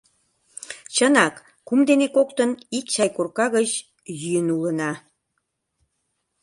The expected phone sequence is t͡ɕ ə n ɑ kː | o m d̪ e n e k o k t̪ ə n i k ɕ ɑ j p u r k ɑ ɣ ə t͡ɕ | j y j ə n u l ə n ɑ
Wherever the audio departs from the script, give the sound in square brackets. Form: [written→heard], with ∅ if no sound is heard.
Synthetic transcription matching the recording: t͡ɕ ə n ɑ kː | [o→u] m d̪ e n e k o k t̪ ə n i k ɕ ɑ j [p→k] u r k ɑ ɣ ə t͡ɕ | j y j ə n u l ə n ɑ